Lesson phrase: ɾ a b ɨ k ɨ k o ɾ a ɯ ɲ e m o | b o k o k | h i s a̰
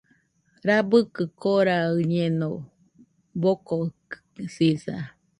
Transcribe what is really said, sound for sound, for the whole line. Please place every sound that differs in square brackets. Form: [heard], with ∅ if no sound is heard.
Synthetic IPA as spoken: ɾ a b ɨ k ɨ k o ɾ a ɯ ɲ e [n] o | b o k o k | [s] i s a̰